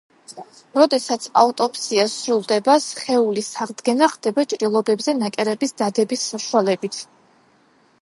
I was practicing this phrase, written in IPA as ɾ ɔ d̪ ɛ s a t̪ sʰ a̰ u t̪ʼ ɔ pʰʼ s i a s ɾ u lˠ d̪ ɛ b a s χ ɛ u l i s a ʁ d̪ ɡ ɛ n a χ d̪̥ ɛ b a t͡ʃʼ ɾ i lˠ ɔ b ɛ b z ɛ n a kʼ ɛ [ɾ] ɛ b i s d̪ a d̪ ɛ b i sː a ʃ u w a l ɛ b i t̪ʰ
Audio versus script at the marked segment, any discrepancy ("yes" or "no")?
no